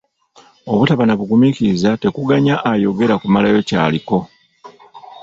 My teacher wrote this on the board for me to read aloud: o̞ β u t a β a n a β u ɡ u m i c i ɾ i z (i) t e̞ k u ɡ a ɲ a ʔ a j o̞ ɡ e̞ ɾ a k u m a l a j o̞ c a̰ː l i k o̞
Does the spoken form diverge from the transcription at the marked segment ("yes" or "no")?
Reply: yes